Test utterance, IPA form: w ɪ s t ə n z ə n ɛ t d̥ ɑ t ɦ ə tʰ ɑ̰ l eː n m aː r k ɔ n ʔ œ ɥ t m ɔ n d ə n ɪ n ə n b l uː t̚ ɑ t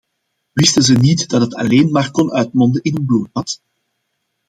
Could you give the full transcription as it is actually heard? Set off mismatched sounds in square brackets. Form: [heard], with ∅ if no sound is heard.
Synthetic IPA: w ɪ s t ə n z ə n [i] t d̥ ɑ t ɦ ə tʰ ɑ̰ l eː n m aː r k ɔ n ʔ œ ɥ t m ɔ n d ə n ɪ n ə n b l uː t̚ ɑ t